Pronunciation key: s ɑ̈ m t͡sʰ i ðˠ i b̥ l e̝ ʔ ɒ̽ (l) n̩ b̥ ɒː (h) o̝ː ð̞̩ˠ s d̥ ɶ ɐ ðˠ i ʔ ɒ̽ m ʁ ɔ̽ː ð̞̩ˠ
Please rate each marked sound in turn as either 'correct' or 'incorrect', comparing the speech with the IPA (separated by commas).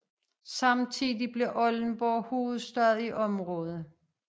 correct, correct